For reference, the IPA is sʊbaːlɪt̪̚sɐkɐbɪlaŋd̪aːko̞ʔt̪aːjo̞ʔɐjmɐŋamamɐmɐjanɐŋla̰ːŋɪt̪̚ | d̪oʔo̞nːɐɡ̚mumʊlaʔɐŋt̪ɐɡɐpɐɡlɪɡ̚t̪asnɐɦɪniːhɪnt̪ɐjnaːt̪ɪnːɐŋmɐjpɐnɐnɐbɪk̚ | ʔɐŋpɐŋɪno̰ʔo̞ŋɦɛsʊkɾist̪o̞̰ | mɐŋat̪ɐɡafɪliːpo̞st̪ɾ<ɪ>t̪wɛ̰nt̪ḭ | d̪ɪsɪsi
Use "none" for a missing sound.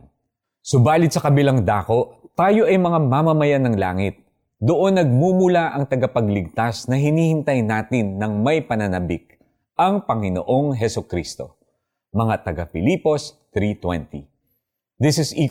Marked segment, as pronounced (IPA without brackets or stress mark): i